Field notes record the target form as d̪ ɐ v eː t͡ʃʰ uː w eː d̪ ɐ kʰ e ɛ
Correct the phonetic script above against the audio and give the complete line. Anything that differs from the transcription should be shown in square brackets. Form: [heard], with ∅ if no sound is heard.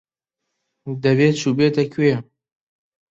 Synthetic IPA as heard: d̪ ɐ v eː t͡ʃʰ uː [b] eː [t̪] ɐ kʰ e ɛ